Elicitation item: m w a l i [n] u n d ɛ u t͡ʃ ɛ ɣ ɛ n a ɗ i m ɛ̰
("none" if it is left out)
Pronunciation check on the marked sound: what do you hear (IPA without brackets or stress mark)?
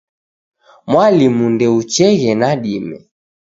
m